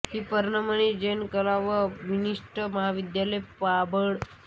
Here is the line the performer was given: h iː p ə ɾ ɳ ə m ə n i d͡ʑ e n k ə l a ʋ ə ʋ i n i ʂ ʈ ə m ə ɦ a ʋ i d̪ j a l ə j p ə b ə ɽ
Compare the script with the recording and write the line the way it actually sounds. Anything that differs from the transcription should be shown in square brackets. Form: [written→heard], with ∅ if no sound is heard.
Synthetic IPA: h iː p ə ɾ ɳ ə m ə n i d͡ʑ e n k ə l a ʋ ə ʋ i n i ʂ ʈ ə m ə ɦ a ʋ i d̪ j a l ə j p [ə→a] b ə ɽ